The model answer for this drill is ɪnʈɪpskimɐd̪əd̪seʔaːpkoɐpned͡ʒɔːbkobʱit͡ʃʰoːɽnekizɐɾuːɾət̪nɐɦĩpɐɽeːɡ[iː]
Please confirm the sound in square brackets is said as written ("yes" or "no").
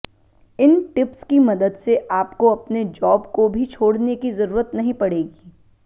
yes